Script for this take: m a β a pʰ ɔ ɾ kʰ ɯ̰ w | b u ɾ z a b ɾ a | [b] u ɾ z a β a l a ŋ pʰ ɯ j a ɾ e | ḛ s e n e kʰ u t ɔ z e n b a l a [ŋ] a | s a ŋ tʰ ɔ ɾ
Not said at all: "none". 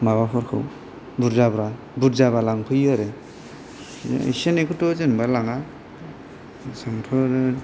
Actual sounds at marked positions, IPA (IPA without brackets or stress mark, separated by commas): b, ŋ